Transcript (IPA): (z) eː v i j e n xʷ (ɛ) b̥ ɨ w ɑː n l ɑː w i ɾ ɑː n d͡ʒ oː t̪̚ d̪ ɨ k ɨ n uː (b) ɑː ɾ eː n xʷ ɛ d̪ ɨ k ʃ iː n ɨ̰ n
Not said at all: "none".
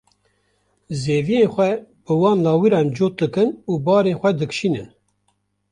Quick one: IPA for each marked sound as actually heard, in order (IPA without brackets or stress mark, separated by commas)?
z, ɛ, b